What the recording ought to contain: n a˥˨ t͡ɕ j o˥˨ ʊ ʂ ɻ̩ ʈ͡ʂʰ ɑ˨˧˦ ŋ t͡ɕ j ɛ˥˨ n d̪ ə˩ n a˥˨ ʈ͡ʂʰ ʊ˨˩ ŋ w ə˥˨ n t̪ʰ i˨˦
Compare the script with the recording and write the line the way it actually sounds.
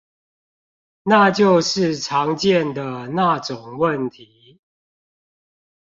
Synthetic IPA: n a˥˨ t͡ɕ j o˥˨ ʊ ʂ ɻ̩ ʈ͡ʂʰ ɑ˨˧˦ ŋ t͡ɕ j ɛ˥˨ n d̪ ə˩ n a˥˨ ʈ͡ʂ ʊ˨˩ ŋ w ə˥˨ n t̪ʰ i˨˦